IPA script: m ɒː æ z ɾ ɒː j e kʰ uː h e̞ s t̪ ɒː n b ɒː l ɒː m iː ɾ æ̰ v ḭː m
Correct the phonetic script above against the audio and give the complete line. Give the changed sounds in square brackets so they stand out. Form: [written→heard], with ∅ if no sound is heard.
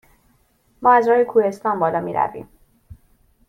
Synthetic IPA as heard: m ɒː æ z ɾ ɒː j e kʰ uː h e̞ s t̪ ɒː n b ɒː l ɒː m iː ɾ æ̰ v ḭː m